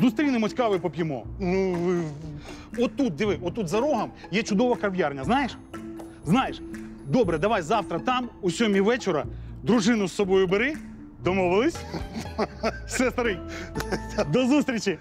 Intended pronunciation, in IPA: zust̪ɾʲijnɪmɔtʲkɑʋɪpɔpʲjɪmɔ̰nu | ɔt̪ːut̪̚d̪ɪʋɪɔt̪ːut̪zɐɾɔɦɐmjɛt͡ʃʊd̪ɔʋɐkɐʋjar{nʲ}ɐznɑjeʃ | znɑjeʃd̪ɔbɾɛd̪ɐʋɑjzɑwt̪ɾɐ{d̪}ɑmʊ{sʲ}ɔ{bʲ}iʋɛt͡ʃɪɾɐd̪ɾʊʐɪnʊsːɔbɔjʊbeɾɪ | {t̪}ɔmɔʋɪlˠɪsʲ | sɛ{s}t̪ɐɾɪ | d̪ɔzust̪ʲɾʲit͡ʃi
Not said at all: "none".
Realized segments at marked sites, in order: nʲ, t̪, sʲ, mʲ, d̪, s

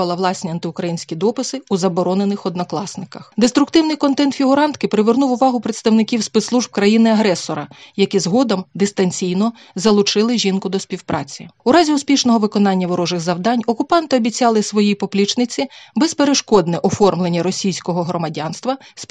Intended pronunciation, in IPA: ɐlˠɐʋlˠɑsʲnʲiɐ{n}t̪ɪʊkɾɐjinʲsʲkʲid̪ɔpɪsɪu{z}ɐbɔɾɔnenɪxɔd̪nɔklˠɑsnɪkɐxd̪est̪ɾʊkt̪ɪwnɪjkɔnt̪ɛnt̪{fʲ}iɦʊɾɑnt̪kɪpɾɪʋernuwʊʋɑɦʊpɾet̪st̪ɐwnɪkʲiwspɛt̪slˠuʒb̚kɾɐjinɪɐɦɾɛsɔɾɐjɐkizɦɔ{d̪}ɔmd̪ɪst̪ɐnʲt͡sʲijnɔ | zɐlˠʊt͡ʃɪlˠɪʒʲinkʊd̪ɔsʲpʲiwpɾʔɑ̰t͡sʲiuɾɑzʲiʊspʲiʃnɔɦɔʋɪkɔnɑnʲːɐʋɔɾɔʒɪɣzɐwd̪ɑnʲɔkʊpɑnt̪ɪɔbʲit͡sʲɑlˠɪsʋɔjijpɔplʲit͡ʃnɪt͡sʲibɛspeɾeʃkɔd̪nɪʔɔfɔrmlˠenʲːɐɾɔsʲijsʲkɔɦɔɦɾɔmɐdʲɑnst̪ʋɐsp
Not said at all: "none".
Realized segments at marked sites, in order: n, z, fʲ, d̪

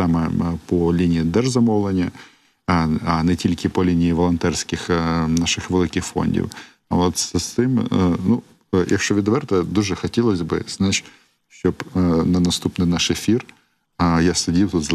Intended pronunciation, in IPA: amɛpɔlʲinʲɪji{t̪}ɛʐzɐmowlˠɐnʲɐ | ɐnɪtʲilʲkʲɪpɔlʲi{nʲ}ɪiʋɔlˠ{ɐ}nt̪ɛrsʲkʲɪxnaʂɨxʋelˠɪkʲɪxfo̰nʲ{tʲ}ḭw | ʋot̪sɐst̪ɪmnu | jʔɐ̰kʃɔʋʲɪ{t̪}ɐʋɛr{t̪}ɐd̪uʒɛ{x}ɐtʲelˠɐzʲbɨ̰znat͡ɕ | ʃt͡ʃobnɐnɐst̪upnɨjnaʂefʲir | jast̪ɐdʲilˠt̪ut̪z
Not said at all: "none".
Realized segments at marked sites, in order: d̪, nʲ, ɐ, dʲ, d̪, t̪, x

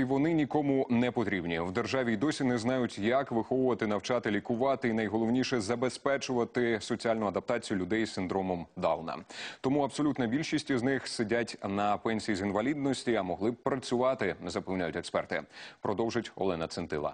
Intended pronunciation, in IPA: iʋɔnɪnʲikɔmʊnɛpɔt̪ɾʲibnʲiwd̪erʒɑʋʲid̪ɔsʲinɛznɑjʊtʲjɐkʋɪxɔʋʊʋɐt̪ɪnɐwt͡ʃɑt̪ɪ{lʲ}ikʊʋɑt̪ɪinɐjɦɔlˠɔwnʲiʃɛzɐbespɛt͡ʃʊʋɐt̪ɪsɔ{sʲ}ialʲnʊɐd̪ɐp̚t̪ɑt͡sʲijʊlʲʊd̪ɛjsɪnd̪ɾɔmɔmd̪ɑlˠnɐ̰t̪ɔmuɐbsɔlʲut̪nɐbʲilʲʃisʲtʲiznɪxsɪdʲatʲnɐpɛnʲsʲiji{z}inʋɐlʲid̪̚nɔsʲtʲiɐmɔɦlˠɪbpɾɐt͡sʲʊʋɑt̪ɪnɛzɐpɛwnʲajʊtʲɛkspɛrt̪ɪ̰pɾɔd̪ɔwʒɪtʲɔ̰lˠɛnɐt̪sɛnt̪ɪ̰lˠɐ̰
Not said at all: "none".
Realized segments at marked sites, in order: lʲ, t͡sʲ, z

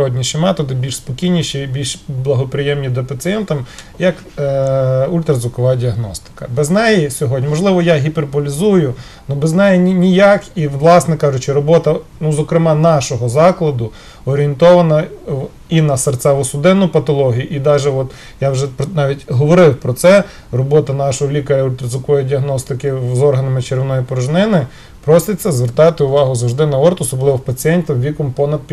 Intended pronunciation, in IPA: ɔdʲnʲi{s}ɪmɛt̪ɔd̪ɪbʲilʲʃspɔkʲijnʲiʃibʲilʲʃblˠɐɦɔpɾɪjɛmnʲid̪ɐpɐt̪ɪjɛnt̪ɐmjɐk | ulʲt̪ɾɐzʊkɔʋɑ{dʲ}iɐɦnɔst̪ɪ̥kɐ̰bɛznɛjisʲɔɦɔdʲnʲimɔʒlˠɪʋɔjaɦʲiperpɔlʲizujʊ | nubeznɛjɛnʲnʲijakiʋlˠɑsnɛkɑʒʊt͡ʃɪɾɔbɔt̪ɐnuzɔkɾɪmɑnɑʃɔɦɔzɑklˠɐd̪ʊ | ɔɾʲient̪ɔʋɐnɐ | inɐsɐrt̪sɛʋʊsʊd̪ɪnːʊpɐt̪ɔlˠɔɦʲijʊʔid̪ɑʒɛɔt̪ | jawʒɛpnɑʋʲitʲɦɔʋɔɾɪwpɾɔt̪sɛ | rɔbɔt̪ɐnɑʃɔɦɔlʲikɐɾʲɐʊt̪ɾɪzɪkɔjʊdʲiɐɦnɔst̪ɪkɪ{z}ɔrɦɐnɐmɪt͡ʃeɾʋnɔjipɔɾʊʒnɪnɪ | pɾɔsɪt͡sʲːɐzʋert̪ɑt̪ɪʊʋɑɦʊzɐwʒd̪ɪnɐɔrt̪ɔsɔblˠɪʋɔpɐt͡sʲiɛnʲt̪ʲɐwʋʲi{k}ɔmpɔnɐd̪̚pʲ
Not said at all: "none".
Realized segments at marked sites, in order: ʃ, dʲ, z, k

